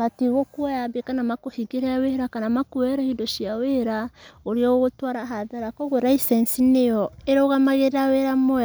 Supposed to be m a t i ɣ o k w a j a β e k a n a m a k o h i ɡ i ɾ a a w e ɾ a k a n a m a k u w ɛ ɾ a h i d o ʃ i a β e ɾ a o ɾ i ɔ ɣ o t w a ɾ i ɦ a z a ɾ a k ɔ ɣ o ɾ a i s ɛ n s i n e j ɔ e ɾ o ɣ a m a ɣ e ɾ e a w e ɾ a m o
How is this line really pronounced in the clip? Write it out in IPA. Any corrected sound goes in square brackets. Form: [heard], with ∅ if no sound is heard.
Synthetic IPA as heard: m a t i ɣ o k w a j a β e k a n a m a k o h i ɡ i ɾ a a w e ɾ a k a n a m a k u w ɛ ɾ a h i d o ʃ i a [w] e ɾ a o ɾ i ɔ ɣ o t w a ɾ [a] ɦ a [ð] a ɾ a k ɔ ɣ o ɾ a i s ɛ n s i n e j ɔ e ɾ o ɣ a m a ɣ e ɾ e a w e ɾ a m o

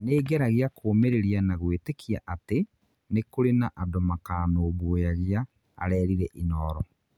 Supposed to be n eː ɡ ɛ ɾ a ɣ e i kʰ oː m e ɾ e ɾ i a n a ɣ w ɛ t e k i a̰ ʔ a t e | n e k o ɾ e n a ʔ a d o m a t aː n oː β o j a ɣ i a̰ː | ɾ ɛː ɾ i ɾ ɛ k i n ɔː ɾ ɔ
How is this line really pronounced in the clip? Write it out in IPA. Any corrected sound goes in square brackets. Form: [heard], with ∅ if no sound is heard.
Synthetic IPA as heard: n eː ɡ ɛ ɾ a ɣ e [a] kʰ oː m e ɾ e ɾ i a n a ɣ w [e] t e k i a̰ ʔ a t e | n e k o ɾ e n a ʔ a d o m a [k] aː n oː β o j a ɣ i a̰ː | ɾ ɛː ɾ i ɾ ɛ [ʔ] i n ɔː ɾ ɔ

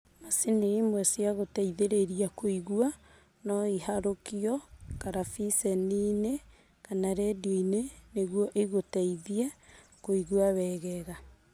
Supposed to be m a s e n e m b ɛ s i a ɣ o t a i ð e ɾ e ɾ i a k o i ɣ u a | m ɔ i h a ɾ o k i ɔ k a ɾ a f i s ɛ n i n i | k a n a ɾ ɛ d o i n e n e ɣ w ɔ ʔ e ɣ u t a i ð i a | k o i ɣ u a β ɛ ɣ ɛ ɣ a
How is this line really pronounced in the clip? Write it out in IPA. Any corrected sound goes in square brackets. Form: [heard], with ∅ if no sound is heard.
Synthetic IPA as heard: m a s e n e m [w] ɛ s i a ɣ o t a i ð e ɾ e ɾ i a k o i ɣ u a | [n] ɔ i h a ɾ o k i ɔ k a ɾ a f i s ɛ n i n [e] | k a n a ɾ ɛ d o i n e n e ɣ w ɔ ʔ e ɣ [o] t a i ð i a | k o i ɣ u a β ɛ ɣ ɛ ɣ a

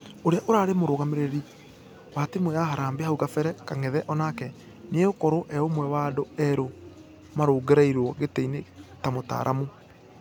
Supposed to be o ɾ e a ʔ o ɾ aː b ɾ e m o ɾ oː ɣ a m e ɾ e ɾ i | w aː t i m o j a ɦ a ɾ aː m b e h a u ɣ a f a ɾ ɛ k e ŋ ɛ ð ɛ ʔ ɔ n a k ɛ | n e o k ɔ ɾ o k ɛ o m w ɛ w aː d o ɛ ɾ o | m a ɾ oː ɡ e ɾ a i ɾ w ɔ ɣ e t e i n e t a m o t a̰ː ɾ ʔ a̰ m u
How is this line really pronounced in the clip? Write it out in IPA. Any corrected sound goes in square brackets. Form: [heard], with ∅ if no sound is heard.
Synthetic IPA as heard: o ɾ e a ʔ o ɾ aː [∅] ɾ e m o ɾ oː ɣ a m e ɾ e ɾ i | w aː t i m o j a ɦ a ɾ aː m b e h a u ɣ a f [ɛ] ɾ ɛ k [a] ŋ ɛ ð ɛ ʔ ɔ n a k ɛ | n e o k ɔ ɾ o [ʔ] ɛ o m w ɛ w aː d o ɛ ɾ o | m a ɾ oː ɡ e ɾ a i ɾ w ɔ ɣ e t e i n e t a m o t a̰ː ɾ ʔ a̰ m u

